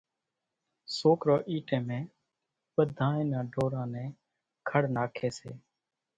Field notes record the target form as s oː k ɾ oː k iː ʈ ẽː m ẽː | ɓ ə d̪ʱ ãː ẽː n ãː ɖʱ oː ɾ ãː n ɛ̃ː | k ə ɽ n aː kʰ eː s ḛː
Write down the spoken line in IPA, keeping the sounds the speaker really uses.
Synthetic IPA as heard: s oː k ɾ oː ʔ iː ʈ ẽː m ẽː | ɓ ə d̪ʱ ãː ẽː n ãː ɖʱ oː ɾ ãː n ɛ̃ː | kʰ ə ɽ n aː kʰ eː s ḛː